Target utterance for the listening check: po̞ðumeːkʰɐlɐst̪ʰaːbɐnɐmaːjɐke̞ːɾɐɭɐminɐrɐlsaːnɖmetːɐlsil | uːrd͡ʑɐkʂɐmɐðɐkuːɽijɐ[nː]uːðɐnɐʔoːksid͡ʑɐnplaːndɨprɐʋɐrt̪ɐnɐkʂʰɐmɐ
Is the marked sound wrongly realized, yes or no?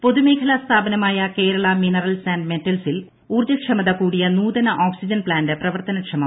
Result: yes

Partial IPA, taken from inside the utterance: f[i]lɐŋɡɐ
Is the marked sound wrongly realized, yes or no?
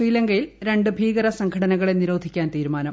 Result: yes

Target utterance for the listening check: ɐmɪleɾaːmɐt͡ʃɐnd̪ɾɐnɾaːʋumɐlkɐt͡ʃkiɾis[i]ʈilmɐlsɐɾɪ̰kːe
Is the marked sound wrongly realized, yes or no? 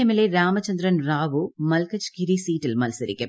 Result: yes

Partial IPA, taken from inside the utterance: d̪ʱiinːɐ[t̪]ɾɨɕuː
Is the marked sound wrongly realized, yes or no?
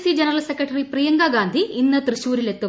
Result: no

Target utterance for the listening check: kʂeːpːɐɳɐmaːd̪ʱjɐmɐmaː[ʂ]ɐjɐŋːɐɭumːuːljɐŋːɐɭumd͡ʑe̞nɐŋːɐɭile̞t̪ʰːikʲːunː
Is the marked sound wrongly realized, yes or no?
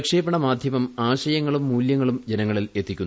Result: yes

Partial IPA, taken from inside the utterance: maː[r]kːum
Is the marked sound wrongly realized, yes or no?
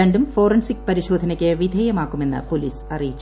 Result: yes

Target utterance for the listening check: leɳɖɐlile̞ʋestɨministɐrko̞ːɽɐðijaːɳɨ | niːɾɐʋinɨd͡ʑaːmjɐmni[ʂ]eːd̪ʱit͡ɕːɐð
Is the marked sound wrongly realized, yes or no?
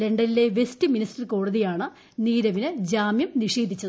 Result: no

